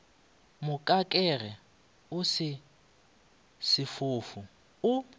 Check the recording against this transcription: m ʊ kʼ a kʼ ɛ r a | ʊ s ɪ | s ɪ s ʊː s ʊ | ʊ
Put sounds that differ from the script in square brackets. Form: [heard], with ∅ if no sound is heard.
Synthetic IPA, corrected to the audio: m ʊ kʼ a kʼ ɛ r [ɛ] | ʊ s ɪ | s ɪ [f] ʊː [f] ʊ | ʊ